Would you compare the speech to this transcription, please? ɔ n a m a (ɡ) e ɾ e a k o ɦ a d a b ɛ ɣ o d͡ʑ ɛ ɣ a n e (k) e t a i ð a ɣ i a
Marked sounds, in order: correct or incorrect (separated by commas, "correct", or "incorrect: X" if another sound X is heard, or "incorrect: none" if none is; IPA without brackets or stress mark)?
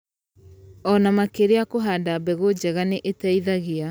incorrect: k, incorrect: ʔ